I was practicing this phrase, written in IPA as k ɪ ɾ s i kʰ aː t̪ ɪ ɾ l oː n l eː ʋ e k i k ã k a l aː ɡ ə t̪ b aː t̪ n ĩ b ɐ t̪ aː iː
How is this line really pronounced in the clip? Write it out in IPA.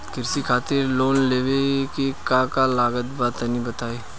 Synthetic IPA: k ɪ ɾ s i kʰ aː t̪ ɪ ɾ l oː n l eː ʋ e k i k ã k a l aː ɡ ə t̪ b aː t̪ n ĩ b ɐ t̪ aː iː